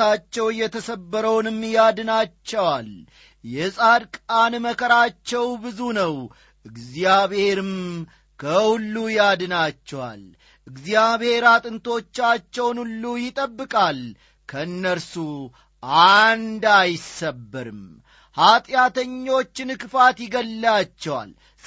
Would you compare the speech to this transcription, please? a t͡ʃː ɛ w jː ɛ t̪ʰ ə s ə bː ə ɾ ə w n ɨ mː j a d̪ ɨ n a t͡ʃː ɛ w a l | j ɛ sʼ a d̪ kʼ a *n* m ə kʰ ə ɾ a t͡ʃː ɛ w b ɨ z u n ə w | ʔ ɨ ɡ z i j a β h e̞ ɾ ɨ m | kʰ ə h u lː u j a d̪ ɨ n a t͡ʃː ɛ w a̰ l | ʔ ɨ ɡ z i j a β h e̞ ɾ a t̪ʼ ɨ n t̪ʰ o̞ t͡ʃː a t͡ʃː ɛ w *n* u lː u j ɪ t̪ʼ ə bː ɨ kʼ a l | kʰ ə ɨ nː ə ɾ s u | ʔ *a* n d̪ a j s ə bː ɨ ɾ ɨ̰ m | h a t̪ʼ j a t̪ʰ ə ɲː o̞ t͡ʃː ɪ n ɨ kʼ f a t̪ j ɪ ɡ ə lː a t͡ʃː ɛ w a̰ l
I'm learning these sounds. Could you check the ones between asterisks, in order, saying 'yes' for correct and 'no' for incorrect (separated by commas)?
yes, yes, yes